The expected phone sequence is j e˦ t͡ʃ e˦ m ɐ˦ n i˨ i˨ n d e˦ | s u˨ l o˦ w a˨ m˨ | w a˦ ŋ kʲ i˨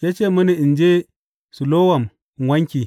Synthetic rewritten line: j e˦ t͡ʃ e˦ m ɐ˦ n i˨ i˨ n d͡ʒ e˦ | s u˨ l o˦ w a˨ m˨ | w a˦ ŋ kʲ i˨